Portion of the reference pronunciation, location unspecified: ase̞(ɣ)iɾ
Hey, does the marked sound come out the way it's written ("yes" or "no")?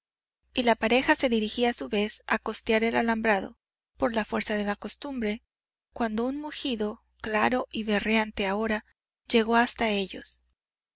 no